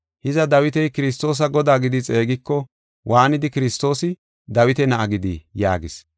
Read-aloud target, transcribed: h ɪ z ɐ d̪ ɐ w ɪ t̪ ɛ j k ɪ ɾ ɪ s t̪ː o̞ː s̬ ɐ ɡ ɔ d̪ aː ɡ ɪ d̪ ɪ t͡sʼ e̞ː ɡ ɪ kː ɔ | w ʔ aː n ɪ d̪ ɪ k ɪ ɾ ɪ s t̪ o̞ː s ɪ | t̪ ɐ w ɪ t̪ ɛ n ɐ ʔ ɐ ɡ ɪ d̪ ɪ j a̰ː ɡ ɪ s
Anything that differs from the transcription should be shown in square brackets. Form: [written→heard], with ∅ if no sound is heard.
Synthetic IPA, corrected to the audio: h ɪ z ɐ d̪ ɐ w ɪ t̪ ɛ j k ɪ ɾ ɪ s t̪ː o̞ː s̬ ɐ ɡ ɔ d̪ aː ɡ ɪ d̪ ɪ t͡sʼ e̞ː ɡ ɪ kː ɔ | w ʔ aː n ɪ d̪ ɪ k ɪ ɾ ɪ s t̪ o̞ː s ɪ | [t̪→d̪] ɐ w ɪ t̪ ɛ n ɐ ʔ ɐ ɡ ɪ d̪ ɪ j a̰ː ɡ ɪ s